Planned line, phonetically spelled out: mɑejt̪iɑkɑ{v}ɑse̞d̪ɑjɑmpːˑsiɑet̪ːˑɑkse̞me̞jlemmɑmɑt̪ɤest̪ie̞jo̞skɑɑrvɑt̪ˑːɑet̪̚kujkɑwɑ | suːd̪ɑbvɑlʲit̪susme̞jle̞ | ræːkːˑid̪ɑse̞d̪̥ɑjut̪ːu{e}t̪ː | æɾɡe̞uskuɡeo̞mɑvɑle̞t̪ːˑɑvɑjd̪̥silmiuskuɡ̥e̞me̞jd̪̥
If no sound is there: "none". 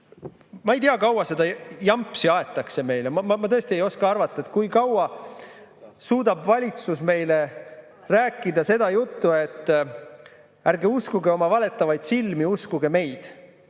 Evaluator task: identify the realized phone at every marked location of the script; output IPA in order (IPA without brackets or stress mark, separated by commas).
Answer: w, e